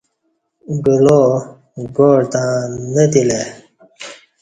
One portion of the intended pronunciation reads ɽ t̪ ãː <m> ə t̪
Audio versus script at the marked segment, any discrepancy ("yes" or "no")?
yes